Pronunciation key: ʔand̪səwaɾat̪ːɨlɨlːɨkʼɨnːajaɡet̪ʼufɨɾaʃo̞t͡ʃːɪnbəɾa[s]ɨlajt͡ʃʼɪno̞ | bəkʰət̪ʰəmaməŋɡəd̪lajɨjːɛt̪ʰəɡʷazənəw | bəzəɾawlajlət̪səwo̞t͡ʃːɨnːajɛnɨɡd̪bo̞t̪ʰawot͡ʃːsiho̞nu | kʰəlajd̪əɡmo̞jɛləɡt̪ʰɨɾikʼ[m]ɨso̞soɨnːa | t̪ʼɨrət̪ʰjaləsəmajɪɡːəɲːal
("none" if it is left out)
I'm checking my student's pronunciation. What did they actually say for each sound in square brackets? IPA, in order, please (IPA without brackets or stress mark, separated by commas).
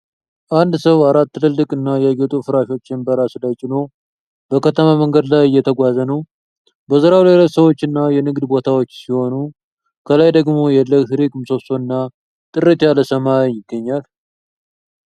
s, m